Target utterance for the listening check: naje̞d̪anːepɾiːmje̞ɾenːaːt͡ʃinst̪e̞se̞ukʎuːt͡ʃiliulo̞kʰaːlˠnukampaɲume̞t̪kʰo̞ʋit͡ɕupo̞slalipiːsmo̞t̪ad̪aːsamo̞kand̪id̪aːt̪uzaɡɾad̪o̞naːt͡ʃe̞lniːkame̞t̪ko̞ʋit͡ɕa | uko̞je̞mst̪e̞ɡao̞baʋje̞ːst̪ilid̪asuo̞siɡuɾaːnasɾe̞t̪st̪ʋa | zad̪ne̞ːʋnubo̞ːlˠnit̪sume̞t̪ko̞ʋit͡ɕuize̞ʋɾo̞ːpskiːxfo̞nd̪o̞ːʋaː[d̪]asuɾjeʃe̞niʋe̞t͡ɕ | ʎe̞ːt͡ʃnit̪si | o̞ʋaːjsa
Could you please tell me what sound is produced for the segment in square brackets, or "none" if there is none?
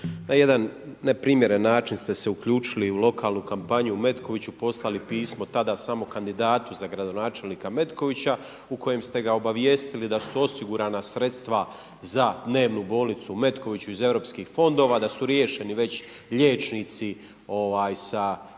d̪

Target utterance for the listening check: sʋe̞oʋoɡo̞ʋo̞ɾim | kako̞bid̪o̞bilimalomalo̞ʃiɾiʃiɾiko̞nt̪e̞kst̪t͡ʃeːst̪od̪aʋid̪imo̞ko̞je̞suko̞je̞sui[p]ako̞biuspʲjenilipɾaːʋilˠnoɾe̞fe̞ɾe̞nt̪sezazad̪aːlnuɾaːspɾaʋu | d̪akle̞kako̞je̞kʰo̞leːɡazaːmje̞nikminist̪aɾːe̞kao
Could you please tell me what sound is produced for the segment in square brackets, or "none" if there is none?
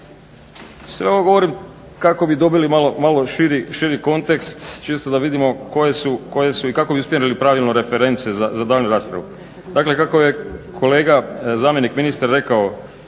k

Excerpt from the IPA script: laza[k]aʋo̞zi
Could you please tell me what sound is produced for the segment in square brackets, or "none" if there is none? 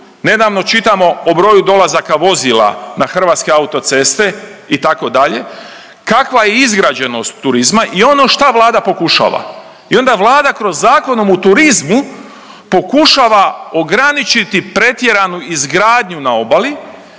k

